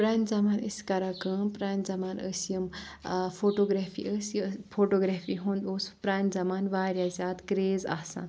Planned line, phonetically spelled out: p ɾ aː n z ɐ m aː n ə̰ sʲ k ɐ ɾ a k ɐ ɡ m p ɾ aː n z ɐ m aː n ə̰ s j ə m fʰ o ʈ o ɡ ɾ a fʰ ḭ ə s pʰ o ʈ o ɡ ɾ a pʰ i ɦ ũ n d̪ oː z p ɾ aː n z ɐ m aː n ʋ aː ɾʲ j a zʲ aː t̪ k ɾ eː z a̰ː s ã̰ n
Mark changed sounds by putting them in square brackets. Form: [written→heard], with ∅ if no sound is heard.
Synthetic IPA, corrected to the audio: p ɾ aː n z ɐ m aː n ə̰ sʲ k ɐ ɾ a k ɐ [ɡ→∅] m p ɾ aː n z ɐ m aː n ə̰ s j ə m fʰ o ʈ o ɡ ɾ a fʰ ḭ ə s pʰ o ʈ o ɡ ɾ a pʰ i ɦ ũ n d̪ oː [z→s] p ɾ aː n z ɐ m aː n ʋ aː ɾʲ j a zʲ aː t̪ k ɾ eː z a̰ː s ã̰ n